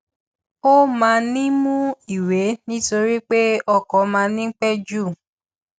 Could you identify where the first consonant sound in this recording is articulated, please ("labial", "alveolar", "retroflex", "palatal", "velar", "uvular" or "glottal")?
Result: labial